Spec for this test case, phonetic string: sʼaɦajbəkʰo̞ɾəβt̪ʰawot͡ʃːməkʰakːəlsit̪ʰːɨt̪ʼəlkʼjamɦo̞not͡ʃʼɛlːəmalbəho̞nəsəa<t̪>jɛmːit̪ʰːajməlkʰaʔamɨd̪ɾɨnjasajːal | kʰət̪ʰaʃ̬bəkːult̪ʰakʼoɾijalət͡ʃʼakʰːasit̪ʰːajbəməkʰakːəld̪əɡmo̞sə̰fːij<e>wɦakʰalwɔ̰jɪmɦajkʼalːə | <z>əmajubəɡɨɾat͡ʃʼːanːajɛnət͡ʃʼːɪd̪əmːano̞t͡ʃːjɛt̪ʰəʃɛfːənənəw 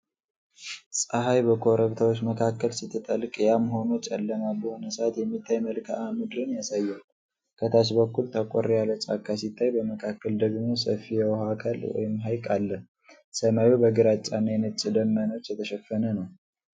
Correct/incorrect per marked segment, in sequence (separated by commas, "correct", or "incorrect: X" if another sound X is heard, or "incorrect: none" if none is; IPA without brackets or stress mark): correct, incorrect: ɛ, incorrect: s